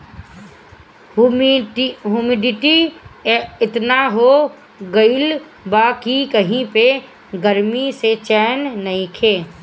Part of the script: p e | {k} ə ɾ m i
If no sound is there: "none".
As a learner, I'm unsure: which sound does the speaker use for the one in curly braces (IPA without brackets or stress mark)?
ɡ